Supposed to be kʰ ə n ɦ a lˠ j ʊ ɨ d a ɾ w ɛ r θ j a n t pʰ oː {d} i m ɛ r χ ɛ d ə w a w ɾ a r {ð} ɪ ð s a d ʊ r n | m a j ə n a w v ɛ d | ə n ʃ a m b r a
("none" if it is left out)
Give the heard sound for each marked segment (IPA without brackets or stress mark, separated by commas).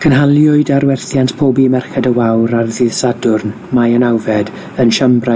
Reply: b, ð